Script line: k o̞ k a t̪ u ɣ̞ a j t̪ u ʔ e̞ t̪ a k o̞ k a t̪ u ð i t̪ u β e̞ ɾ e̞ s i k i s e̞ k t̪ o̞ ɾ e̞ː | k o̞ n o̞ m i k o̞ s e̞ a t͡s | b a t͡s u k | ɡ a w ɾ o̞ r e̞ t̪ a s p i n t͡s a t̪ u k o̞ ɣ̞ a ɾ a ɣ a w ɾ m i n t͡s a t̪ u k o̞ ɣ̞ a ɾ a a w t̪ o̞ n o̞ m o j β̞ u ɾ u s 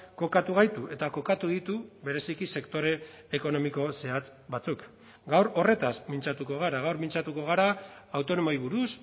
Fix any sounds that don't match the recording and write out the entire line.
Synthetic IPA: k o̞ k a t̪ u ɣ̞ a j t̪ u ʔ e̞ t̪ a k o̞ k a t̪ u ð i t̪ u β e̞ ɾ e̞ s i k i s e̞ k t̪ o̞ ɾ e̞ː | k o̞ n o̞ m i k o̞ s e̞ a t͡s | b a t͡s u k | ɡ a w ɾ o̞ r e̞ t̪ a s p i n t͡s a t̪ u k o̞ ɣ̞ a ɾ a ɣ a w ɾ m i n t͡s a t̪ u k o̞ ɣ̞ a ɾ a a w t̪ o̞ n o̞ m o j β̞ u ɾ u s